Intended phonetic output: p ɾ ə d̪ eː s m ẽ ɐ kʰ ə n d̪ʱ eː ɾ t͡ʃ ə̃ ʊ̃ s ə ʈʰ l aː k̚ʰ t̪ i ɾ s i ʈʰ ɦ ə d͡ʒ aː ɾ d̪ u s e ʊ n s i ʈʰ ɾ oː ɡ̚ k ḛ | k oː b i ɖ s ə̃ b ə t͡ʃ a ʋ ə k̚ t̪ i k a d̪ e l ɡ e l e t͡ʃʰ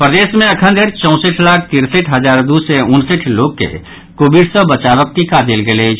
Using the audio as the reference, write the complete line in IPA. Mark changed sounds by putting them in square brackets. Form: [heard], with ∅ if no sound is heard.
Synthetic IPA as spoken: p ɾ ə d̪ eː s m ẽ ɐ kʰ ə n d̪ʱ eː ɾ t͡ʃ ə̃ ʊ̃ s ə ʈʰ l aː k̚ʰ t̪ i ɾ s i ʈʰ ɦ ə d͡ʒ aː ɾ d̪ u s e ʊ n s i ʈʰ [l] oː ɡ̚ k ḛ | k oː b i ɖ s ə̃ b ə t͡ʃ a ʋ ə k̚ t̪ i k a d̪ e l ɡ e l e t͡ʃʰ